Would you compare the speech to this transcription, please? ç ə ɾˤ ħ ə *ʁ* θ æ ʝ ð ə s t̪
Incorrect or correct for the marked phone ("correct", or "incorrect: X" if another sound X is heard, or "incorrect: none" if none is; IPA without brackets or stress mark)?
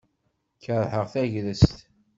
correct